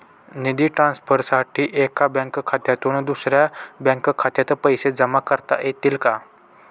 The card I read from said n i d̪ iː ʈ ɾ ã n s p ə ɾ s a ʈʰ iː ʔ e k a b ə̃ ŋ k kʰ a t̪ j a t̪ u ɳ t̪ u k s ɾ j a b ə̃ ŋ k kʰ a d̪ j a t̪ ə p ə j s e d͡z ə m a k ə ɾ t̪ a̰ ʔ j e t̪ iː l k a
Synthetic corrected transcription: n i d̪ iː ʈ ɾ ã n s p ə ɾ s a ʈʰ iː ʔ e k a b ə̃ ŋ k kʰ a t̪ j a t̪ u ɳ d̪ u s ɾ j a b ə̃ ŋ k kʰ a t̪ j a t̪ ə p ə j s e d͡z ə m a k ə ɾ t̪ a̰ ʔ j e t̪ iː l k a

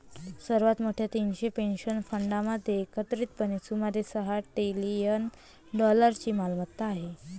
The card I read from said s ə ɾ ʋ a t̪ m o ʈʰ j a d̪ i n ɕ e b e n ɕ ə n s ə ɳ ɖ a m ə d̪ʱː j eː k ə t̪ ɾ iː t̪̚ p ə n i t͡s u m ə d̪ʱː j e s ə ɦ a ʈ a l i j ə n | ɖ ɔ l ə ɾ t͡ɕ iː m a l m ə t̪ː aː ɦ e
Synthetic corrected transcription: s ə ɾ ʋ a t̪ m o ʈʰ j a t̪ i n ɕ e p e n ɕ ə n f ə ɳ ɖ a m ə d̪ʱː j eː k ə t̪ ɾ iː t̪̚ p ə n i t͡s u m ə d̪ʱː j e s ə ɦ a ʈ e l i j ə n | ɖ ɔ l ə ɾ t͡ɕ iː m a l m ə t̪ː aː ɦ e

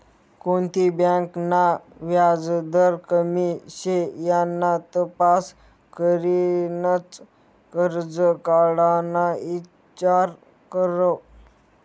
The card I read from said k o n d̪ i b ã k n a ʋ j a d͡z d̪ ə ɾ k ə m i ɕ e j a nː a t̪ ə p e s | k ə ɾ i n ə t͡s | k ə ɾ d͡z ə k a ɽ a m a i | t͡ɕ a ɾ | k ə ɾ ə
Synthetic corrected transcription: k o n t̪ i b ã k n a ʋ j a d͡z d̪ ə ɾ k ə m i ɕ e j a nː a t̪ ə p a s | k ə ɾ i n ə t͡s | k ə ɾ d͡z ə k a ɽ a n a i | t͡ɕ a ɾ | k ə ɾ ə

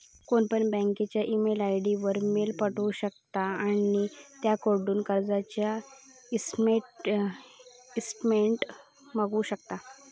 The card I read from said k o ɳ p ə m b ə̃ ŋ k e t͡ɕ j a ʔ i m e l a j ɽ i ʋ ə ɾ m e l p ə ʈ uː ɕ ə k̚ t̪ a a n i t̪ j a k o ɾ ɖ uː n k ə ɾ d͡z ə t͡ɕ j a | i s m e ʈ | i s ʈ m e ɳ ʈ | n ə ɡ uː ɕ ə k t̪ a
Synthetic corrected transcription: k o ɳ p ə ɳ b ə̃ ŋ k e t͡ɕ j a ʔ i m e l a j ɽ i ʋ ə ɾ m e l p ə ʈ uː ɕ ə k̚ t̪ a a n i t̪ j a k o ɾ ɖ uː n k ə ɾ d͡z a t͡ɕ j a | i s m e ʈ | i s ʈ m e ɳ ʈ | m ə ɡ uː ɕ ə k t̪ a

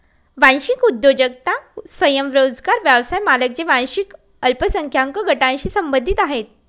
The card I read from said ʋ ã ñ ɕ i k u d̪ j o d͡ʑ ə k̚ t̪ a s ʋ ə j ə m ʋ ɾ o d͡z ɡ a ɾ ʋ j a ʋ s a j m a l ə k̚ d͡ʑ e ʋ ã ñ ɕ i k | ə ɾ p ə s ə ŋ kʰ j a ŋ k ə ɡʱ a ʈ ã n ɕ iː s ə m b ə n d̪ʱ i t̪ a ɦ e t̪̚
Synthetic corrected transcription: ʋ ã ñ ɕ i k u d̪ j o d͡ʑ ə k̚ t̪ a s ʋ ə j ə m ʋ ɾ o d͡z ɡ a ɾ ʋ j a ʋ s a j m a l ə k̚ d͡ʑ e ʋ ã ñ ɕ i k | ə l p ə s ə ŋ kʰ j a ŋ k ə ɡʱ ə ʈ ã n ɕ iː s ə m b ə n d̪ʱ i t̪ a ɦ e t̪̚

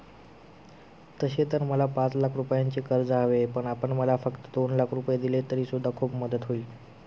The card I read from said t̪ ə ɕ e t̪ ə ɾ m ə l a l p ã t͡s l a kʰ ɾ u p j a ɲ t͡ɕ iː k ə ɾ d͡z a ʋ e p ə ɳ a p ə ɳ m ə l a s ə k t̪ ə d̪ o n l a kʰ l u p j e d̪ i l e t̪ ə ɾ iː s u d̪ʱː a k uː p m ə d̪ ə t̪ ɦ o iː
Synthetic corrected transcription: t̪ ə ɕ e t̪ ə ɾ m ə l a p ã t͡s l a kʰ ɾ u p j a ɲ t͡ɕ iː k ə ɾ d͡z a ʋ e p ə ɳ a p ə ɳ m ə l a f ə k t̪ ə d̪ o n l a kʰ ɾ u p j e d̪ i l e t̪ ə ɾ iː s u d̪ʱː a kʰ uː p m ə d̪ ə t̪ ɦ o iː

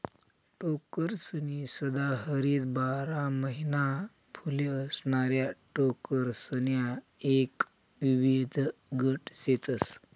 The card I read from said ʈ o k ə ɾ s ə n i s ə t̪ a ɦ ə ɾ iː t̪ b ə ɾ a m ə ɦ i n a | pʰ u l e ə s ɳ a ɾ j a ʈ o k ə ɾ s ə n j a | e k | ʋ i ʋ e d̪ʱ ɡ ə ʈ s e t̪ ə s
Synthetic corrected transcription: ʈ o k ə ɾ s ə n i s ə d̪ a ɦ ə ɾ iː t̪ b a ɾ a m ə ɦ i n a | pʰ u l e ə s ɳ a ɾ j a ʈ o k ə ɾ s ə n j a | e k | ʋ i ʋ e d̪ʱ ɡ ə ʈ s e t̪ ə s

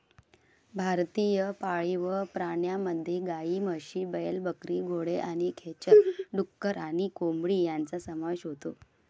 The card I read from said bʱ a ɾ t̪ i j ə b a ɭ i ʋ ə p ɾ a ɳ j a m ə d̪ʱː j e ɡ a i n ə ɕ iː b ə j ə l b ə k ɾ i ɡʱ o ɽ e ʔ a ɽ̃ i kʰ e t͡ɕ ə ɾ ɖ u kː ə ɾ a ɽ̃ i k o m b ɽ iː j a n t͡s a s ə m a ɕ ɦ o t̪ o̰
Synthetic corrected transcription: bʱ a ɾ t̪ i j ə p a ɭ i ʋ ə p ɾ a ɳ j a m ə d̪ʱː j e ɡ a i m ə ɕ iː b ə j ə l b ə k ɾ i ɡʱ o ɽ e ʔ a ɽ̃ i kʰ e t͡ɕ ə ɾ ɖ u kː ə ɾ a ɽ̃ i k o m b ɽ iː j a n t͡s a s ə m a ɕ ɦ o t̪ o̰

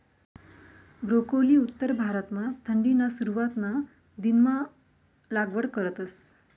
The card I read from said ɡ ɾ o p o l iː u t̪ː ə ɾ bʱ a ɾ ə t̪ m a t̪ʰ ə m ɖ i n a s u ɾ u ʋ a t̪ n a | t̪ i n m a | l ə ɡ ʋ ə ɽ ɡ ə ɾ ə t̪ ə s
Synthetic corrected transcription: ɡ ɾ o k o l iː u t̪ː ə ɾ bʱ a ɾ ə t̪ m a t̪ʰ ə ɳ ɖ i n a s u ɾ u ʋ a t̪ n a | d̪ i n m a | l a ɡ ʋ ə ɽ k ə ɾ ə t̪ ə s

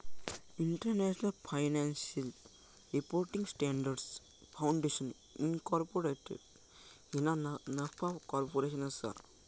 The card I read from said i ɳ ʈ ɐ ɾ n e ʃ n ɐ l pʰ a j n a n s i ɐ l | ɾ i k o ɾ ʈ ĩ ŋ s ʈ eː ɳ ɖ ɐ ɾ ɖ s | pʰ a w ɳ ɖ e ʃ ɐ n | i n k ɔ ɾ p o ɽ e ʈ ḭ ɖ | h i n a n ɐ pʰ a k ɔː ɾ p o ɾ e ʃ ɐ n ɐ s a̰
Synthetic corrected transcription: i ɳ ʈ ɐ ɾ n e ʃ n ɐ l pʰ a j n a n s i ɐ l | ɾ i p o ɾ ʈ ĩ ŋ s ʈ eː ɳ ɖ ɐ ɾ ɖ s | pʰ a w ɳ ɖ e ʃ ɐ n | i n k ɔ ɾ p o ɾ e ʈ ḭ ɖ | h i n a n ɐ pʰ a k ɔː ɾ p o ɾ e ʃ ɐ n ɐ s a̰

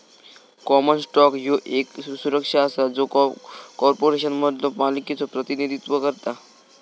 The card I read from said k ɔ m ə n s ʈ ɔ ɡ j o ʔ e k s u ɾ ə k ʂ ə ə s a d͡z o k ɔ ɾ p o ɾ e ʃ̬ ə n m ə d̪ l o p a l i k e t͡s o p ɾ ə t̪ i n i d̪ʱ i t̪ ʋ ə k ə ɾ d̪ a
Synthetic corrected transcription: k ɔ m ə n s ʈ ɔ k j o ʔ e k s u ɾ ə k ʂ a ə s a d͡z o k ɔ ɾ p o ɾ e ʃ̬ ə n m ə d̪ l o p a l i k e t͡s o p ɾ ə t̪ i n i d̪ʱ i t̪ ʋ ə k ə ɾ t̪ a

